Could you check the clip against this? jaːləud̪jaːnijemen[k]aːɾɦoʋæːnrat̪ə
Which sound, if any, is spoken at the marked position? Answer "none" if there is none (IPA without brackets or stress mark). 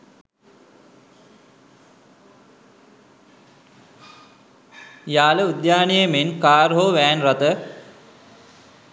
k